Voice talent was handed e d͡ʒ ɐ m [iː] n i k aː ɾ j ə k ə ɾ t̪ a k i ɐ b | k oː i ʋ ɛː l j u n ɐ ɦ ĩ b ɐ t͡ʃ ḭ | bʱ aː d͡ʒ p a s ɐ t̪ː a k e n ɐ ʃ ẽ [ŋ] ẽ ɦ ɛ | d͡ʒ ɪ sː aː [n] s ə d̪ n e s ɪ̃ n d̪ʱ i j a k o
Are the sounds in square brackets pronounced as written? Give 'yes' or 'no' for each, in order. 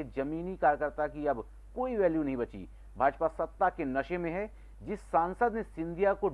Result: yes, no, yes

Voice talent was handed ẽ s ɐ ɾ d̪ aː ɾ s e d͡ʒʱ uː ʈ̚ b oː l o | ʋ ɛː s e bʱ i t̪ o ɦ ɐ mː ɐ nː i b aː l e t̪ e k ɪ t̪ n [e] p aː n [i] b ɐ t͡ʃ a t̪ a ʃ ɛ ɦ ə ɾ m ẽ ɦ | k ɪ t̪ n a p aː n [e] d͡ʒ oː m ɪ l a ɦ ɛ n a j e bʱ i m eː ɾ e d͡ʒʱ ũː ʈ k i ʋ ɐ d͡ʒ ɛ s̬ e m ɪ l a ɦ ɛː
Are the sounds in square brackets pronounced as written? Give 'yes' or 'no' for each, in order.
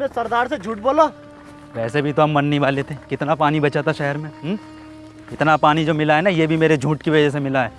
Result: no, yes, no

